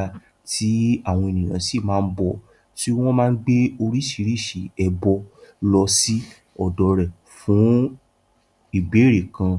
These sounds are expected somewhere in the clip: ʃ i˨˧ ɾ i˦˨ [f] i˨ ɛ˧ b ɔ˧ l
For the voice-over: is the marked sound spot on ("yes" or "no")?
no